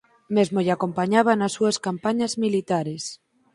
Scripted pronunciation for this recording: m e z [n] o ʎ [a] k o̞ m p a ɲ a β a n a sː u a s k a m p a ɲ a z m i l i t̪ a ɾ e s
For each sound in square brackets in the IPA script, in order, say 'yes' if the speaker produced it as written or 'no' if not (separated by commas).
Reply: no, yes